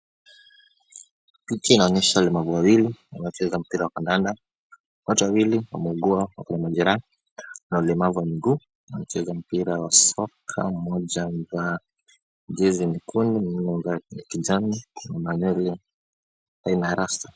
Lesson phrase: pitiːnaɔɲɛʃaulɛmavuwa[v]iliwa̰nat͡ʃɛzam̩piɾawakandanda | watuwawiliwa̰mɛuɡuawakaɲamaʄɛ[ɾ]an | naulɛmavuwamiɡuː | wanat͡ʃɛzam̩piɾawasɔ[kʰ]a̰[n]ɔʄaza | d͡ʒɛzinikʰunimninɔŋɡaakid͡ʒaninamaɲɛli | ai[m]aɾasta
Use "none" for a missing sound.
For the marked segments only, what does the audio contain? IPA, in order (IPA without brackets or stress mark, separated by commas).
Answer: w, ɾ, kʰ, m, n